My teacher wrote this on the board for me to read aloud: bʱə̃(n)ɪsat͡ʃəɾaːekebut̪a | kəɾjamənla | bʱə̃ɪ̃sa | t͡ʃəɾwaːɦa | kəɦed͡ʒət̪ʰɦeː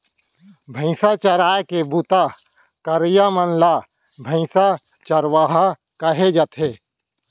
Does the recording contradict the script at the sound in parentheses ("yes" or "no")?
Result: yes